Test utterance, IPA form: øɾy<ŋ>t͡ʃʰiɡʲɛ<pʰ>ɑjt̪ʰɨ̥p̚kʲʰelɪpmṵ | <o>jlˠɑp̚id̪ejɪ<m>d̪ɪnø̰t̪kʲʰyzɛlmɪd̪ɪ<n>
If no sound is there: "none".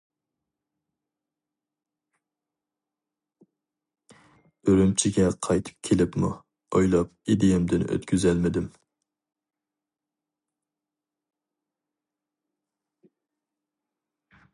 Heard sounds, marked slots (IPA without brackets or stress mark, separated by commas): m, qʰ, o, m, m